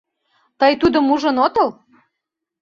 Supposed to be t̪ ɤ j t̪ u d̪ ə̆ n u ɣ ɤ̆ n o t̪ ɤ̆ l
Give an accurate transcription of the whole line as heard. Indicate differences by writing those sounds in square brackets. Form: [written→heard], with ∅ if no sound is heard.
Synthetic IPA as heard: t̪ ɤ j t̪ u d̪ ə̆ [n→m] u [ɣ→ʒ] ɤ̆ n o t̪ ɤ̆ l